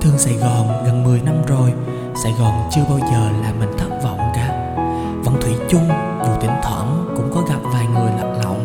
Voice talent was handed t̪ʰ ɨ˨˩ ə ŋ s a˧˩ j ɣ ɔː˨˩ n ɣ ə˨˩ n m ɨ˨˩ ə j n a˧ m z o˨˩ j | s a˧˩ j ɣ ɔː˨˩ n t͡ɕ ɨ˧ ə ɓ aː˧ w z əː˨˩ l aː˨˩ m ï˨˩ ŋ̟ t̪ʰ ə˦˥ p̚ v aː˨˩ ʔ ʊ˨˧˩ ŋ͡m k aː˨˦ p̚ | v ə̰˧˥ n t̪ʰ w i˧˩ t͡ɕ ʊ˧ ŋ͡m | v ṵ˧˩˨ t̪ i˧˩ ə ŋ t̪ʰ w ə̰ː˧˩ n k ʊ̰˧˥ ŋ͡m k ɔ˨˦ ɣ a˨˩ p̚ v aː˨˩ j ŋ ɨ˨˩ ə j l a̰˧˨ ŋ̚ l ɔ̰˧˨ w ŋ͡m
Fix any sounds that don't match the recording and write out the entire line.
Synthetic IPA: t̪ʰ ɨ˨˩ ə ŋ s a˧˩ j ɣ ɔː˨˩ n ɣ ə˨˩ n m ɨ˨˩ ə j n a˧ m z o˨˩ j | s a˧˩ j ɣ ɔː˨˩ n t͡ɕ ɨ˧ ə ɓ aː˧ w z əː˨˩ l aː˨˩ m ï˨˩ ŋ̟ t̪ʰ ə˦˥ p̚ v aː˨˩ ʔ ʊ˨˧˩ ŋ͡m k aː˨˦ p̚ | v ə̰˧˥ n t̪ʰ w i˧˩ t͡ɕ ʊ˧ ŋ͡m | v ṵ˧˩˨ t̪ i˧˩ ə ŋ t̪ʰ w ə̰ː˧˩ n k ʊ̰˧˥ ŋ͡m k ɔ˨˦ ɣ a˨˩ p̚ v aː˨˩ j ŋ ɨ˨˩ ə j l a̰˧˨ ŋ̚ l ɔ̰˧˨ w ŋ͡m